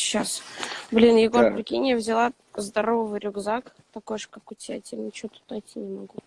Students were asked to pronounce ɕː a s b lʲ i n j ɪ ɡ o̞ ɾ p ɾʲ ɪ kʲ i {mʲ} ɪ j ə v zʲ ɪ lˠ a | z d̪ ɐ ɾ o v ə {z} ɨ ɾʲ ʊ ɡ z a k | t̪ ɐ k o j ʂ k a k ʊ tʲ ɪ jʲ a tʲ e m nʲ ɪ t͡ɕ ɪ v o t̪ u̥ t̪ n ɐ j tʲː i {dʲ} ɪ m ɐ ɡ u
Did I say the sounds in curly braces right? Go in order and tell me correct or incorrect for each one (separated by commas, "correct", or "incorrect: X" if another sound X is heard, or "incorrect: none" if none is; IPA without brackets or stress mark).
incorrect: nʲ, incorrect: v, incorrect: nʲ